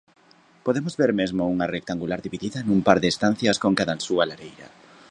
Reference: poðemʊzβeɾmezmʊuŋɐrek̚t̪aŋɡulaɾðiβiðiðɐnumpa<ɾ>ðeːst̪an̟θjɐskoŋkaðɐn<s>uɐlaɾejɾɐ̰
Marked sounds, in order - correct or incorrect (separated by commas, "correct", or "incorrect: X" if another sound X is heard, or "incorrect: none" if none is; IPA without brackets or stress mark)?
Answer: correct, correct